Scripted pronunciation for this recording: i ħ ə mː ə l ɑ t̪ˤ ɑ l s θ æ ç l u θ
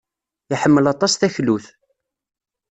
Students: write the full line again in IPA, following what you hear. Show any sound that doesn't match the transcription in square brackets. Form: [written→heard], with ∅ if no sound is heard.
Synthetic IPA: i ħ ə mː ə l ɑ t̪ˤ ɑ [l→∅] s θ æ ç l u θ